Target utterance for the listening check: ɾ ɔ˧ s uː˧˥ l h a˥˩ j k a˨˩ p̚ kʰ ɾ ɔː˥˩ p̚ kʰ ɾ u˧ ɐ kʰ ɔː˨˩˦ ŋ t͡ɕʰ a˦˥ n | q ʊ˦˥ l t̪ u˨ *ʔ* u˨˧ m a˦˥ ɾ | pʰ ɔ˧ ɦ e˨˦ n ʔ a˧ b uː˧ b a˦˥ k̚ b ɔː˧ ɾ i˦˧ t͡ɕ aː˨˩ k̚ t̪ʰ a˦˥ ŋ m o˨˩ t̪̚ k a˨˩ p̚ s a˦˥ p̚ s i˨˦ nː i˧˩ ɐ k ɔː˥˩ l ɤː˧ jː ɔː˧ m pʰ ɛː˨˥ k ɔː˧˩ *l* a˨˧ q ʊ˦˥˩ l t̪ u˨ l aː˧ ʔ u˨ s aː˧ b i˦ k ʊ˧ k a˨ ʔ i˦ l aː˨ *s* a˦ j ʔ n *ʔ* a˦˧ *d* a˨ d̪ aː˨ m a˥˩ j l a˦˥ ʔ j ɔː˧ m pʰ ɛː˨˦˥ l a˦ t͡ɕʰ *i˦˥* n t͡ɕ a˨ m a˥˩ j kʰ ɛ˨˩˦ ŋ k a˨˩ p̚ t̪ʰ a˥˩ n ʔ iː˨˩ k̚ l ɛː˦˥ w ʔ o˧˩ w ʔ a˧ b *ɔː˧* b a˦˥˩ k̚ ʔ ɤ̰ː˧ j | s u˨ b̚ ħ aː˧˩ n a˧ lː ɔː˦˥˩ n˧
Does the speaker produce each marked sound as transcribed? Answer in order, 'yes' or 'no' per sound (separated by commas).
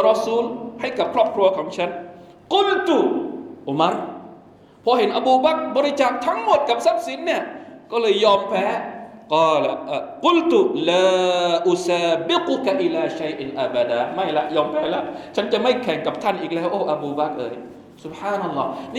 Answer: yes, yes, no, yes, no, no, no